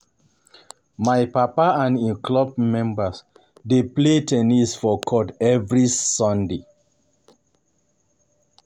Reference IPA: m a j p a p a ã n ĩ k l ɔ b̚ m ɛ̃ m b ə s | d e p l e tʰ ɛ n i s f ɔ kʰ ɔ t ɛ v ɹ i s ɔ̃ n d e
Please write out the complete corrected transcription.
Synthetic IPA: m a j p a p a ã n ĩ k l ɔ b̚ m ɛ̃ m b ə s | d e p l e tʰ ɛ n i s f ɔ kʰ ɔ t ɛ v ɹ i s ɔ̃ n d e